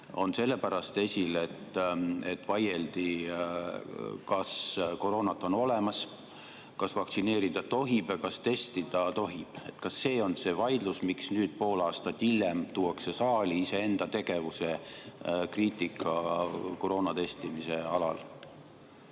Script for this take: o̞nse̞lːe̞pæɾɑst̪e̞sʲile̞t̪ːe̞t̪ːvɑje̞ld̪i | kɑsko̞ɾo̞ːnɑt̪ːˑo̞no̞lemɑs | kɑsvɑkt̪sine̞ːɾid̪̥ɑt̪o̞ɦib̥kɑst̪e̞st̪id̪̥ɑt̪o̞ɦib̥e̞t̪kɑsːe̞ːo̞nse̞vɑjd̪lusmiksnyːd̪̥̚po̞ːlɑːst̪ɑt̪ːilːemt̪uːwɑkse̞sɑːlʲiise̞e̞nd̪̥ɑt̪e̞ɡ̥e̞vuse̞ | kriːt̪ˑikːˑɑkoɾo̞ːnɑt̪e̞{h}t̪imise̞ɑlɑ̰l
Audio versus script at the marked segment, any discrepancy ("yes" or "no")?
yes